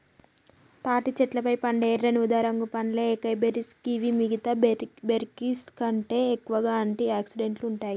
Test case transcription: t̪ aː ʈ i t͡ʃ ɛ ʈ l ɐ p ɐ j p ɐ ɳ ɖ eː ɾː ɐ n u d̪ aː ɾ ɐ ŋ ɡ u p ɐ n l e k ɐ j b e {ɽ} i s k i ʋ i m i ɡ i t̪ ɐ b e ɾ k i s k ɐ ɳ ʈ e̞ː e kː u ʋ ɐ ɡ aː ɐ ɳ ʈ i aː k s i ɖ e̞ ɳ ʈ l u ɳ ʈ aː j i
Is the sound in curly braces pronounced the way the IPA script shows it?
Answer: no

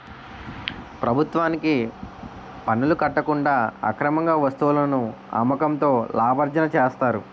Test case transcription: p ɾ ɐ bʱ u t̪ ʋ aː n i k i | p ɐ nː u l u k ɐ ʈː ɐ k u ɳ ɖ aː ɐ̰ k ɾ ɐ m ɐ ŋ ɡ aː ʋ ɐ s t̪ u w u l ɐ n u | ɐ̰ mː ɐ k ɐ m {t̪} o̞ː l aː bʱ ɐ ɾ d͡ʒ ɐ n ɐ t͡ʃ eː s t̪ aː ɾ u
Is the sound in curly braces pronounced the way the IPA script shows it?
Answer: yes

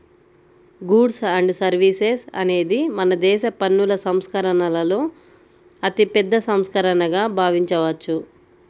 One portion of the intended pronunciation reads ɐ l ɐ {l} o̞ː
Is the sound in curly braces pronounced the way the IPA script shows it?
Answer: yes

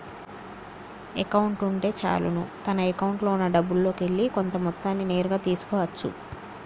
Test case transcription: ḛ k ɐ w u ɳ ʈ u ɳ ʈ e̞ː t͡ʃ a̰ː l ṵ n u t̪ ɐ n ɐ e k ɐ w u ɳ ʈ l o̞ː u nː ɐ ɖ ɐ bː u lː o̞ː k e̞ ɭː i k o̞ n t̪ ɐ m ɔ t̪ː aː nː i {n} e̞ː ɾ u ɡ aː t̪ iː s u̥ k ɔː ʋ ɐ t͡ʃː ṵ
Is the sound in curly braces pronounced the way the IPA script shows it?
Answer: yes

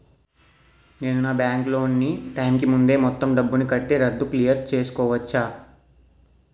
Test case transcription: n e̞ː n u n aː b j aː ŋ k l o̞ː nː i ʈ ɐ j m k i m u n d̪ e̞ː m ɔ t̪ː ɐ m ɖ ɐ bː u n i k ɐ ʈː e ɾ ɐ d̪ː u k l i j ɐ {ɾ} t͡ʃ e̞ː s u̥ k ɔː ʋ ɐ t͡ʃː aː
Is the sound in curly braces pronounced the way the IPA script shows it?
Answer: yes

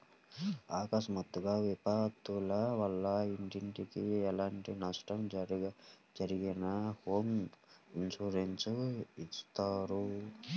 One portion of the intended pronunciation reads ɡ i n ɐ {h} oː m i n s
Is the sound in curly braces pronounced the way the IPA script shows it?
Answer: yes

